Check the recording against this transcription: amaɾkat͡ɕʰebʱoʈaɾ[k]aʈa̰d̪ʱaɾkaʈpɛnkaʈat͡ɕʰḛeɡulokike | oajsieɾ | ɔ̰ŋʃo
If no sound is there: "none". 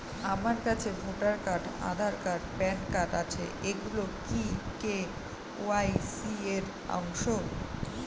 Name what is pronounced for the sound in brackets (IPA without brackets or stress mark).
k